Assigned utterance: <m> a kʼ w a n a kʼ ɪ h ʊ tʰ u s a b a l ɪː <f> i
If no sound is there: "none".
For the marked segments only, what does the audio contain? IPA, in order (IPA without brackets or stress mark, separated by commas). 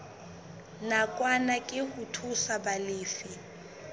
n, f